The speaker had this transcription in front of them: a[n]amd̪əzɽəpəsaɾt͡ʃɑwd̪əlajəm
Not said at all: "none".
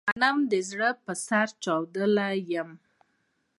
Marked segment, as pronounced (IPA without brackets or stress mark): n